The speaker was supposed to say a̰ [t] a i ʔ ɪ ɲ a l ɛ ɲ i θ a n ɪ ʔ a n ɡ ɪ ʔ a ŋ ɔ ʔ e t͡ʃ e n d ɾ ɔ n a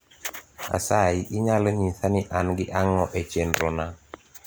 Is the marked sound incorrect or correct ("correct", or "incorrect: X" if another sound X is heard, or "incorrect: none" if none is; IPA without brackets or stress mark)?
incorrect: s